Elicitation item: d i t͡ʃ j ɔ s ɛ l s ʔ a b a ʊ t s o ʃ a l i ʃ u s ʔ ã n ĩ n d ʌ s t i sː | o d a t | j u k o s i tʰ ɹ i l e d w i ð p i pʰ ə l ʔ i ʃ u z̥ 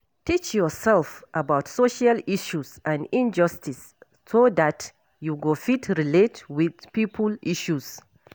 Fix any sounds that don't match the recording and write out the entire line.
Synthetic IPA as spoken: t i t͡ʃ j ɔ s ɛ l f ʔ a b a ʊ t s o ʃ a l i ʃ u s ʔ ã n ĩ n d͡ʒ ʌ s t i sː | o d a t | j u ɡ o f i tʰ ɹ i l e t w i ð p i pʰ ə l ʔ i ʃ u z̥

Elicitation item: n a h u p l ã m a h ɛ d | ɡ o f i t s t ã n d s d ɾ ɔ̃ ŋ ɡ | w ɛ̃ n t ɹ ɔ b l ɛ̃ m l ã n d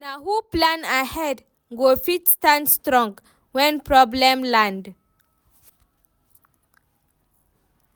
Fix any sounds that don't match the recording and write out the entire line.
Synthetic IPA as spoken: n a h u p l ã n a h ɛ d | ɡ o f i t s t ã n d s t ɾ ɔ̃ ŋ ɡ | w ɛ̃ n p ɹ ɔ b l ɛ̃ m l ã n d

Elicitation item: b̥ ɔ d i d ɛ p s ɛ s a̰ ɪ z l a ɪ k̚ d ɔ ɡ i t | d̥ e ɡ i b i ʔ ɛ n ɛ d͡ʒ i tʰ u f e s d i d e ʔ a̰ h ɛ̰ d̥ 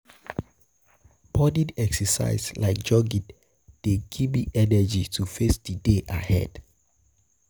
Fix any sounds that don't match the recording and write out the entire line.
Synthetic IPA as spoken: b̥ ɔ d i d ɛ k s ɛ s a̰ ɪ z l a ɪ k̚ d͡ʒ ɔ ɡ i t | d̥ e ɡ i b i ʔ ɛ n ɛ d͡ʒ i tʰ u f e s d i d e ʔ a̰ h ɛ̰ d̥

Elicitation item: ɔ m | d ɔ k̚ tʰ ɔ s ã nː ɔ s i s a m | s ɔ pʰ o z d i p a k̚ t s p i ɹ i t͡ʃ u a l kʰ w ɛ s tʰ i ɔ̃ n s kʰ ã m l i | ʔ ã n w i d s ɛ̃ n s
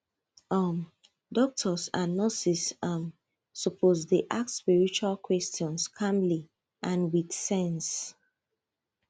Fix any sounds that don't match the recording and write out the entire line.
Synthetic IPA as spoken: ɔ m | d ɔ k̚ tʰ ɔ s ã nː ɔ s i s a m | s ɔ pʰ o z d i ʔ a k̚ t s p i ɹ i t͡ʃ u a l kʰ w ɛ s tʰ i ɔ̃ n s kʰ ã m l i | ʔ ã n w i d s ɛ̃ n s

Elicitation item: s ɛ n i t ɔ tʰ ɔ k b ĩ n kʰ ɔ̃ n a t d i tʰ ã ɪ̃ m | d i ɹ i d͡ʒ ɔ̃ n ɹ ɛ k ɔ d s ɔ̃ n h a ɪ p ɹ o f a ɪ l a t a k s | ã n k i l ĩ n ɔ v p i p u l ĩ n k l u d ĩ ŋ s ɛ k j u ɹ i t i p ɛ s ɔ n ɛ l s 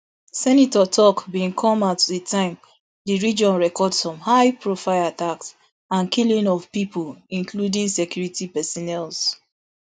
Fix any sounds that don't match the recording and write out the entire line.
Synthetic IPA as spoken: s ɛ n i t ɔ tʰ ɔ k b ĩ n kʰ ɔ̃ m a t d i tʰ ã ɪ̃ m | d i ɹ i d͡ʒ ɔ̃ n ɹ ɛ k ɔ d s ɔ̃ m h a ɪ p ɹ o f a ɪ l a t a k s | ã n k i l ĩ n ɔ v p i p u l ĩ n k l u d ĩ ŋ s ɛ k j u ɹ i t i p ɛ s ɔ n ɛ l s

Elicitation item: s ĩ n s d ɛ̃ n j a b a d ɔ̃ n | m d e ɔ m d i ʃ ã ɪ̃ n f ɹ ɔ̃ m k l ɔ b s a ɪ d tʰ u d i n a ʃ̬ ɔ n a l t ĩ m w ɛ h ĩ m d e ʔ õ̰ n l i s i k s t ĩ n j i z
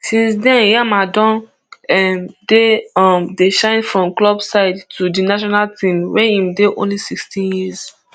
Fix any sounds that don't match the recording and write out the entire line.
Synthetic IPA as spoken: s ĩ n s d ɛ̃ n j a m a d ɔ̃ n | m d e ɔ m d e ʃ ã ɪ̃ n f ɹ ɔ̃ m k l ɔ b s a ɪ d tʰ u d i n a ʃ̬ ɔ n a l t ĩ m w ɛ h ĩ m d e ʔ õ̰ n l i s i k s t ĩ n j i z

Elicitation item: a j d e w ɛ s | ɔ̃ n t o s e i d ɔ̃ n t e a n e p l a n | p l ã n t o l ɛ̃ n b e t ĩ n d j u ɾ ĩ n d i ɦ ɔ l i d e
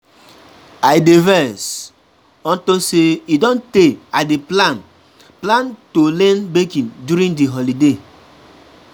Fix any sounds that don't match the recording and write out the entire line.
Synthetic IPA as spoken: a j d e v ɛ s | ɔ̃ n t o s e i d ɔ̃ n t e a d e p l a n | p l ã n t o l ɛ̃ n b e k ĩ n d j u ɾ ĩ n d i ɦ ɔ l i d e

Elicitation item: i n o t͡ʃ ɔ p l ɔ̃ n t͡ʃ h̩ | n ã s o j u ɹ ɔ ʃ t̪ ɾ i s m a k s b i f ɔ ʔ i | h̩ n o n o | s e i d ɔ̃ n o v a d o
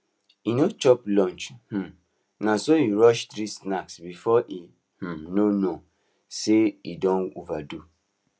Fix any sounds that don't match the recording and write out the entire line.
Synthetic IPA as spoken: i n o t͡ʃ ɔ p l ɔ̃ n t͡ʃ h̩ | n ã s o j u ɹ ɔ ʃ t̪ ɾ i s n a k s b i f ɔ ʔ i | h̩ n o n o | s e i d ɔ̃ n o v a d u

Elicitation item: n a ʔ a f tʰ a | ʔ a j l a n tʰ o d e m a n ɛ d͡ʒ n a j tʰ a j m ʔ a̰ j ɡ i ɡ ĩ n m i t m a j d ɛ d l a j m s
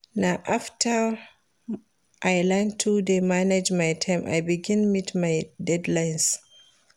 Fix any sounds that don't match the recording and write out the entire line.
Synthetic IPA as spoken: n a ʔ a f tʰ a | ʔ a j l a n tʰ u d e m a n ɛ d͡ʒ m a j tʰ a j m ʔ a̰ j b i ɡ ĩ n m i t m a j d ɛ d l a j n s

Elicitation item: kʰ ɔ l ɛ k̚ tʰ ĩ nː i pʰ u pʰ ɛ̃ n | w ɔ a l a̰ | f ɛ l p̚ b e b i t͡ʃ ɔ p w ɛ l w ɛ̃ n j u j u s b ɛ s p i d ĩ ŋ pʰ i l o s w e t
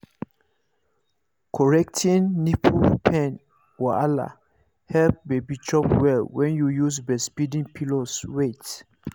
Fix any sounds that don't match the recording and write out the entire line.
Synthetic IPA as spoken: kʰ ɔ ɹ ɛ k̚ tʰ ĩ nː i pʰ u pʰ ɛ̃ n | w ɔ a l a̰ | h ɛ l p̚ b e b i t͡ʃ ɔ p w ɛ l w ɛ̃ n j u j u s b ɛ s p i d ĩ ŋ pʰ i l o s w e t

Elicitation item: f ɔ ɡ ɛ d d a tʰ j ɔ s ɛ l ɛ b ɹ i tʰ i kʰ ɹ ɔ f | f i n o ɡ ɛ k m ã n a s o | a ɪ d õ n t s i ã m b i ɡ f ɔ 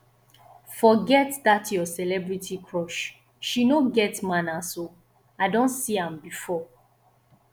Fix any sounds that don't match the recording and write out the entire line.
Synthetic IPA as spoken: f ɔ ɡ ɛ t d a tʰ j ɔ s ɛ l ɛ b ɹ i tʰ i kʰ ɹ ɔ ʃ | ʃ i n o ɡ ɛ t m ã n a s o | a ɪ d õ n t s i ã m b i f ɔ

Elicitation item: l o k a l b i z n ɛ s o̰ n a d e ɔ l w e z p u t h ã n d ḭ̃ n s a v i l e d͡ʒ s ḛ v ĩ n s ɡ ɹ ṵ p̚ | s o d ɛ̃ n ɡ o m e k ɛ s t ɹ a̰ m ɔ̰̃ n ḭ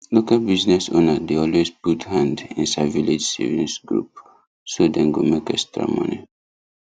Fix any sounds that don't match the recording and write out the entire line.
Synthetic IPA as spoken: l o k a l b i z n ɛ s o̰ n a d e ɔ l w e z p u t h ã n d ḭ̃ n s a v i l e d͡ʒ s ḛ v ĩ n s ɡ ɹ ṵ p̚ | s o d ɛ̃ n ɡ o m e k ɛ s t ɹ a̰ m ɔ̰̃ n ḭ

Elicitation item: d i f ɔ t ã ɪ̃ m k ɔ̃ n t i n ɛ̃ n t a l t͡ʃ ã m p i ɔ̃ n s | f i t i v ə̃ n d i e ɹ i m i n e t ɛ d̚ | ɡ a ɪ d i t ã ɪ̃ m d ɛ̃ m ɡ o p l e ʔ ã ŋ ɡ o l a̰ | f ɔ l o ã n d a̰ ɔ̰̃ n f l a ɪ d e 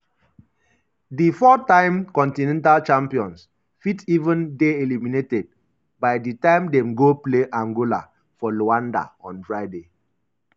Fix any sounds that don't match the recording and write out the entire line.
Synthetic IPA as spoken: d i f ɔ t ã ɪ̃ m k ɔ̃ n t i n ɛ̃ n t a l t͡ʃ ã m p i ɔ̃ n s | f i t i v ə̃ n d e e l i m i n e t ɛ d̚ | b a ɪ d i t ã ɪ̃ m d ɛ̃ m ɡ o p l e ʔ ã ŋ ɡ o l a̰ | f ɔ l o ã n d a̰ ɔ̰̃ n f ɹ a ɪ d e

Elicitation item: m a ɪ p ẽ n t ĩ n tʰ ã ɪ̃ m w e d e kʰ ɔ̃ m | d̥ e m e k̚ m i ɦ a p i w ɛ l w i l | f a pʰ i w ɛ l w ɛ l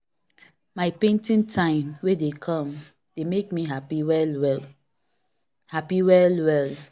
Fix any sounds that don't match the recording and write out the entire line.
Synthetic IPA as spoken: m a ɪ p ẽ n t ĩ n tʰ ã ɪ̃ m w e d e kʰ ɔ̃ m | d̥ e m e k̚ m i ɦ a p i w ɛ l w ɛ l | h a p i w ɛ l w ɛ l

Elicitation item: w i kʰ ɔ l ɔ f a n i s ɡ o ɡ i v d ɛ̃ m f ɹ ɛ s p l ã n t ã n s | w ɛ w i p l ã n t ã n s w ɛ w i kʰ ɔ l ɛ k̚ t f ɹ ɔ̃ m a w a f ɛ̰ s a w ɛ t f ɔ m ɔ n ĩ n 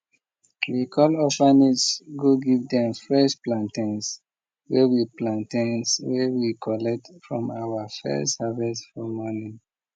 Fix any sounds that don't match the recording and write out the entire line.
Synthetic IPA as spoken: w i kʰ ɔ l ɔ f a n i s ɡ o ɡ i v d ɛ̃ m f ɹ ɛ s p l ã n t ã n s | w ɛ w i p l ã n t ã n s w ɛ w i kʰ ɔ l ɛ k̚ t f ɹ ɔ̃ m a w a f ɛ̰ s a v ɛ s f ɔ m ɔ n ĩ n

